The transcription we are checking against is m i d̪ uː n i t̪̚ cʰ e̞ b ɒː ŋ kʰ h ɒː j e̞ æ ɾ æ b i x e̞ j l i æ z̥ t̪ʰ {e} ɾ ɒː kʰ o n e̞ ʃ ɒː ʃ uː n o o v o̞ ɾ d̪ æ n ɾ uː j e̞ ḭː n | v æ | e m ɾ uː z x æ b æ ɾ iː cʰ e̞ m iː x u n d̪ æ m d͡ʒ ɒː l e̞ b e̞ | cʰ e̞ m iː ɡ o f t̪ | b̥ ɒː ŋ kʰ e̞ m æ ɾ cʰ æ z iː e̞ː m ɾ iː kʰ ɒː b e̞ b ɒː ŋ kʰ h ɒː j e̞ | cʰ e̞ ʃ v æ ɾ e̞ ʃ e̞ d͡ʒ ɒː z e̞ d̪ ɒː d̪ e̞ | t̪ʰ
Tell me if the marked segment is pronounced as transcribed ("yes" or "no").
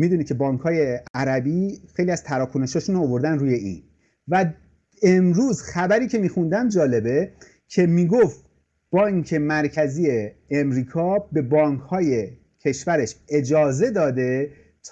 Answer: no